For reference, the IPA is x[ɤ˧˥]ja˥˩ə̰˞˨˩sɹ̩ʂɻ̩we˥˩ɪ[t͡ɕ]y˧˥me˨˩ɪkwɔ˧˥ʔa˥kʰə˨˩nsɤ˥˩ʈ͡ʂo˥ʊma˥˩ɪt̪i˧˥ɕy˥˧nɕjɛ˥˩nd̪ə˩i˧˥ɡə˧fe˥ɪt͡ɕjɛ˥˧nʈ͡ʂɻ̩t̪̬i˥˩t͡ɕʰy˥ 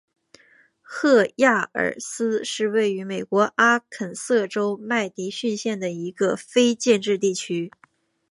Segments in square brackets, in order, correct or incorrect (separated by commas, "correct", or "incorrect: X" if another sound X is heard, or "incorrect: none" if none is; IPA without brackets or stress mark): incorrect: ɤ˥˧, incorrect: none